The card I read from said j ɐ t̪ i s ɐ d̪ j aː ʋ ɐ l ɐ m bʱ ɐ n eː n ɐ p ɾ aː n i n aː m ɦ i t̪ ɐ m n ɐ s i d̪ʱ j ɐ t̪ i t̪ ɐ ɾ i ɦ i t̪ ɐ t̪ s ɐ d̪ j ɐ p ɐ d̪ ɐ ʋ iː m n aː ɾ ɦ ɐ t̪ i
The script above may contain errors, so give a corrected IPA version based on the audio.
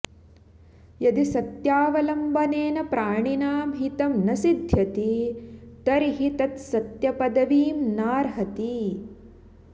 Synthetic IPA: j ɐ d̪ i s ɐ t̪ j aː ʋ ɐ l ɐ m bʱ ɐ n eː n ɐ p ɾ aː ɳ i n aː m ɦ i t̪ ɐ m n ɐ s i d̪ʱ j ɐ t̪ i t̪ ɐ ɾ i ɦ i t̪ ɐ t̪ s ɐ t̪ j ɐ p ɐ d̪ ɐ ʋ iː m n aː ɾ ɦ ɐ t̪ i